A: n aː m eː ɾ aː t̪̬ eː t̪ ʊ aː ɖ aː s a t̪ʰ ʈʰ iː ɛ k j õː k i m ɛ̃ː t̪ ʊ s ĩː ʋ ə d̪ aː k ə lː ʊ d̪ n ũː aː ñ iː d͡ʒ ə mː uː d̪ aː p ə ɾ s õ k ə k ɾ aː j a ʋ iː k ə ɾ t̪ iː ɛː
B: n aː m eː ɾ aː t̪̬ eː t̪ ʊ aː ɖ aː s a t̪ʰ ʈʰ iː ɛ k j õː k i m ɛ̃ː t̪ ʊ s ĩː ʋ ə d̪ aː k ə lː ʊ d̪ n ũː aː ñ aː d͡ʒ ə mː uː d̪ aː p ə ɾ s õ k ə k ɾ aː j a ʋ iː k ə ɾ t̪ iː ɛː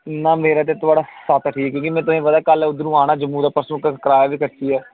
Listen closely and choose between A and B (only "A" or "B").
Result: B